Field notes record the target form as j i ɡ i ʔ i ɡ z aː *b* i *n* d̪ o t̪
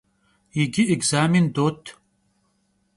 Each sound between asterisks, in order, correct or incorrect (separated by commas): incorrect, correct